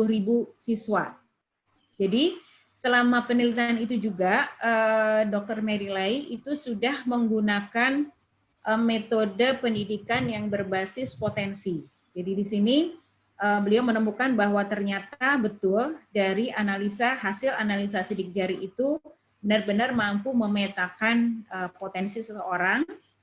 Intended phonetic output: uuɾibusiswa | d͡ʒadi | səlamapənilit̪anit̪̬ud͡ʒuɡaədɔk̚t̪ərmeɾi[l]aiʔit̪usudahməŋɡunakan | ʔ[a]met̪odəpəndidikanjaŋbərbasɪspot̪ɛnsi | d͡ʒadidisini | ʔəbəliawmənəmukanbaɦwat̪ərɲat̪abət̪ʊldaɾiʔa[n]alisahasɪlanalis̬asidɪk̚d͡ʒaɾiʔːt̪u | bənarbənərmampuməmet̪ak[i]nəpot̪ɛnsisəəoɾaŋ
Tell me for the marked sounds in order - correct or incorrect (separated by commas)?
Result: correct, incorrect, correct, incorrect